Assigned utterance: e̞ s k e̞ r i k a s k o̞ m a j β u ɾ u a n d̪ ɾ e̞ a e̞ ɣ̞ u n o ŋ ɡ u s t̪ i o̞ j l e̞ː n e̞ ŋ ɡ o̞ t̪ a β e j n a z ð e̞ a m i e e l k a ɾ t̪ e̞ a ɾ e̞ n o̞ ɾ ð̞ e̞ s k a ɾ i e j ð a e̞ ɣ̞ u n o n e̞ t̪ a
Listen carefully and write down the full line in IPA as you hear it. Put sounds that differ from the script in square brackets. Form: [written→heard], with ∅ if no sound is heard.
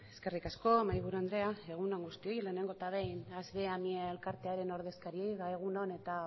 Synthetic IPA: e̞ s k e̞ r i k a s k o̞ m a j β u ɾ u a n d̪ ɾ e̞ a e̞ ɣ̞ u n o ŋ ɡ u s t̪ i o̞ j l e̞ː n e̞ ŋ ɡ o̞ t̪ a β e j n a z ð e̞ a m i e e l k a ɾ t̪ e̞ a ɾ e̞ n o̞ ɾ ð̞ e̞ s k a ɾ i e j ð a e̞ ɣ̞ u n o n e̞ t̪ a